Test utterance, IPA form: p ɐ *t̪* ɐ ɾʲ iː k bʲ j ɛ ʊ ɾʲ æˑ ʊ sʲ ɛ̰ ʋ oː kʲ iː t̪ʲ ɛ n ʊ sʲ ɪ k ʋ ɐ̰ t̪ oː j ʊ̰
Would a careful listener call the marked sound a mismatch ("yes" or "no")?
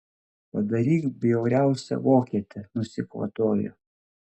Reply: yes